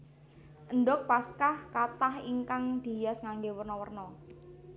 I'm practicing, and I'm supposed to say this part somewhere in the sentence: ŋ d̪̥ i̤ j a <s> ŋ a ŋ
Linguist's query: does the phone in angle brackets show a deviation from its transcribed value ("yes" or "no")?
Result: no